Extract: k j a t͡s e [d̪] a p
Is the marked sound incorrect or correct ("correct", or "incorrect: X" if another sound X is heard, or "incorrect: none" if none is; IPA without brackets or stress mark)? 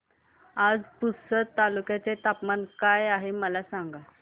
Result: incorrect: t̪